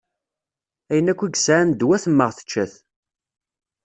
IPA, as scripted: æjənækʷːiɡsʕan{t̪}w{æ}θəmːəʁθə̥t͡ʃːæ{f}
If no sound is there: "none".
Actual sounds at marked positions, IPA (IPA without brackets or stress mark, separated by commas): d̪, æ, θ